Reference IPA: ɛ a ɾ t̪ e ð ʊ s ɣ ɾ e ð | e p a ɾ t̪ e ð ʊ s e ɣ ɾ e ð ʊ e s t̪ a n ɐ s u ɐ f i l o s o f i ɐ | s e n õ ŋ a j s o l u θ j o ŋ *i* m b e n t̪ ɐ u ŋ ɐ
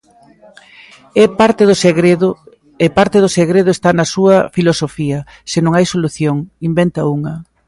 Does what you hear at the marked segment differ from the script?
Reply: no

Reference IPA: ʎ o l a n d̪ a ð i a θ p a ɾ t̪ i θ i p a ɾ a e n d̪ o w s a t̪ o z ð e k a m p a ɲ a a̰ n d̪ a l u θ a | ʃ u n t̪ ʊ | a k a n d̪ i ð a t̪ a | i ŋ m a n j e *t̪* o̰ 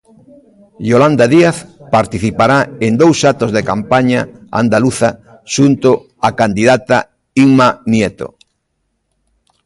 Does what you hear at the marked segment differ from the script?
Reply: no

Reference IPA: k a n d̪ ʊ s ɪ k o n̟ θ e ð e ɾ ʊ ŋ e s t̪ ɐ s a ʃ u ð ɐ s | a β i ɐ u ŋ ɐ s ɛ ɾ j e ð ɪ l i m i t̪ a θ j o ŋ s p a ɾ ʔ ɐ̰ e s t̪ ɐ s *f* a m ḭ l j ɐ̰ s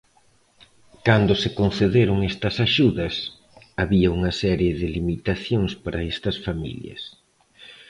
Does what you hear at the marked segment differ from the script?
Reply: no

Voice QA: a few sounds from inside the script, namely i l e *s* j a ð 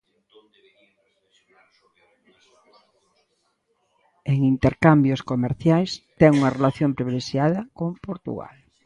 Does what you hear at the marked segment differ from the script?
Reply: yes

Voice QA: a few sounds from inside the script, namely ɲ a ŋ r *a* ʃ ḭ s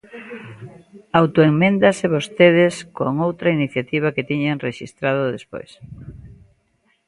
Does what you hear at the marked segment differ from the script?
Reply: yes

